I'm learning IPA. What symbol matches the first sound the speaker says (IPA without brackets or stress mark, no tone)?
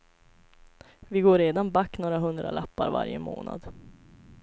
v